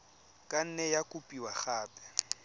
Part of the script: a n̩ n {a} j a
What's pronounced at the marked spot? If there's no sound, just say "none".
ɛ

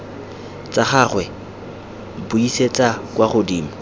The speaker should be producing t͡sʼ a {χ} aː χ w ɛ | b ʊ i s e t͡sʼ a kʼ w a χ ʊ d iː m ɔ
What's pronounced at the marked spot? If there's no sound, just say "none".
χ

